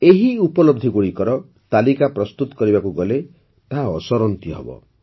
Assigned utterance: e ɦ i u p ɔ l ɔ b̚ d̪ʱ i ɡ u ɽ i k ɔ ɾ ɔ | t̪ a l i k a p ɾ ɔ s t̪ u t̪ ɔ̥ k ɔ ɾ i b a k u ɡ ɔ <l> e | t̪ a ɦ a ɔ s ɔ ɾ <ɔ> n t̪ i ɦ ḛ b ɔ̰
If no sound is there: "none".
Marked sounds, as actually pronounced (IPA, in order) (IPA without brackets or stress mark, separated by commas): l, ɔ